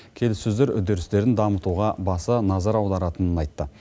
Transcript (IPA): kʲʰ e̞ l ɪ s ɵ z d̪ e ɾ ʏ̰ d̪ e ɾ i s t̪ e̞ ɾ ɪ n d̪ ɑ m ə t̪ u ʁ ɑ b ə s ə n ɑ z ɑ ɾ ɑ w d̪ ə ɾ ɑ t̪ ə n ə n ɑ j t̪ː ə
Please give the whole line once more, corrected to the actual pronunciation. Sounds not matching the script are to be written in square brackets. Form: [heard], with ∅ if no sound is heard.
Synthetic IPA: kʲʰ e̞ l ɪ s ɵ z d̪ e ɾ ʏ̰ d̪ e ɾ [ɪ] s t̪ e̞ ɾ ɪ n d̪ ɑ m ə t̪ u ʁ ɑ b [ɑ] s ə n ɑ z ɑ ɾ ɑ w d̪ [ɑ] ɾ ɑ t̪ ə n ə n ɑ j t̪ː ə